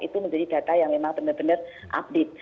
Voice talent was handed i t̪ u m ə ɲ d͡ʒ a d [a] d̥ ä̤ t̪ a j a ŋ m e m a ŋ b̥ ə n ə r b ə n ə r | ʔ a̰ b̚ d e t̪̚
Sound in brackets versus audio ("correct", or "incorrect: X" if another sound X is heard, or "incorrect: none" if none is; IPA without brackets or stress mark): incorrect: i